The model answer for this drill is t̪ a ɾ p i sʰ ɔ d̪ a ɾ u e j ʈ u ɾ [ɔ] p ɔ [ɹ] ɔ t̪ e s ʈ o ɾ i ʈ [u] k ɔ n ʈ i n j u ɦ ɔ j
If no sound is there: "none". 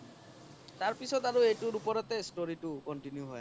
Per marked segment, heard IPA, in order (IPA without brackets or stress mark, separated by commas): u, ɾ, u